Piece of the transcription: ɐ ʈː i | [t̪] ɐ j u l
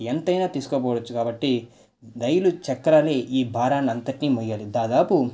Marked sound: incorrect: d̪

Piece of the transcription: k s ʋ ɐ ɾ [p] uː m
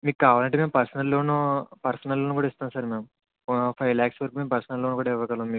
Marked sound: incorrect: k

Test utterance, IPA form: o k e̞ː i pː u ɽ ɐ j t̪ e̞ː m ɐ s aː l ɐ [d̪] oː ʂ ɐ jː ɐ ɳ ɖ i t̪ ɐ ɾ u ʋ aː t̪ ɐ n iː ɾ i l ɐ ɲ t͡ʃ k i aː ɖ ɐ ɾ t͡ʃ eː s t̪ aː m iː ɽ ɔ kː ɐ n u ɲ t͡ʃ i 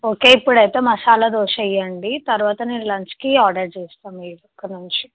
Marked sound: correct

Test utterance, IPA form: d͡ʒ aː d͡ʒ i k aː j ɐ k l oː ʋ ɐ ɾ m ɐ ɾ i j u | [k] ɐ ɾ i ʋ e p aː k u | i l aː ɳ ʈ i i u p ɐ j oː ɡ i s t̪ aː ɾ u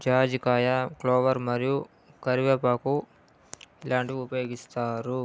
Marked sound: correct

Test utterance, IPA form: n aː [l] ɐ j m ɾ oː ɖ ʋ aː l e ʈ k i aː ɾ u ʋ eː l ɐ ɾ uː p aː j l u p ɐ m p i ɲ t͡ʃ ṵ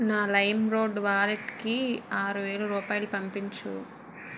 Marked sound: correct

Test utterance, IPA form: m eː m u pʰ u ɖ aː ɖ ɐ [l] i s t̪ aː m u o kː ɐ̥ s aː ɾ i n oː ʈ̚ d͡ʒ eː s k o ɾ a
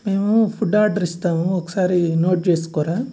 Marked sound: incorrect: ɾ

